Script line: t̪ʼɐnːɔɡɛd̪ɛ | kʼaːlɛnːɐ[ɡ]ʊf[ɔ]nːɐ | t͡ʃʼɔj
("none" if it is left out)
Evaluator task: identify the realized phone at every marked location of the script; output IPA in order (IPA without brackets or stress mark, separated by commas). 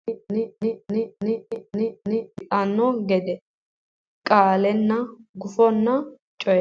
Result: ɡ, ɔ